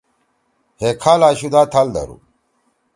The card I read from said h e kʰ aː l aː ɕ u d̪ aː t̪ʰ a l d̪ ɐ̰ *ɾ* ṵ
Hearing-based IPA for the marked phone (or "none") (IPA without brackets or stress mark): ɾ